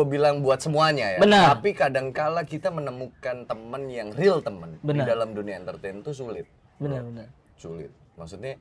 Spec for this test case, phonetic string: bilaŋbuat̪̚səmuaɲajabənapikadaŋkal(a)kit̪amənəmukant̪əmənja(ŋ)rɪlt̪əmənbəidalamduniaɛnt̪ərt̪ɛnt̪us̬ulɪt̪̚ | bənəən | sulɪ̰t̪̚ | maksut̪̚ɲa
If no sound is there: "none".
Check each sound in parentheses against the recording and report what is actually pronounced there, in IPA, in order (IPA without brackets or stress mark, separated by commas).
a, ŋ